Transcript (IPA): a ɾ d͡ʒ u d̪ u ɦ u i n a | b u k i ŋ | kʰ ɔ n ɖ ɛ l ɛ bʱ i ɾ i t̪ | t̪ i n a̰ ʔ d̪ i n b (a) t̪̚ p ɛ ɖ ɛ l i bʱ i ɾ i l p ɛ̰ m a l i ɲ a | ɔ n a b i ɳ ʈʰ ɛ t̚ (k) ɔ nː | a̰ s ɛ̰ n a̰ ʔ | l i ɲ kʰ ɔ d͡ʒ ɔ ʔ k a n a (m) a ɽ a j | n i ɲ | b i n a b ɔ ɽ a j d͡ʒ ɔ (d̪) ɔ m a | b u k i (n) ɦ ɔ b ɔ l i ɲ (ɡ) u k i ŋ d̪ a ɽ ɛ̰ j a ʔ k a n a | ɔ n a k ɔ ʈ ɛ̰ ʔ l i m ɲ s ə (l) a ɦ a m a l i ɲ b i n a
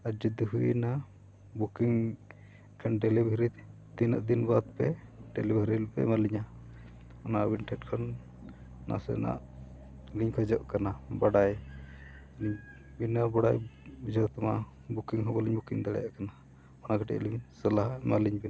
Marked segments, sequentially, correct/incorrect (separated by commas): correct, incorrect, incorrect, incorrect, incorrect, incorrect, correct